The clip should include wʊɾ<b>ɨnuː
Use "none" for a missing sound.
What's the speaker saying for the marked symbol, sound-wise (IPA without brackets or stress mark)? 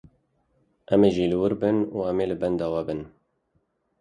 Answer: b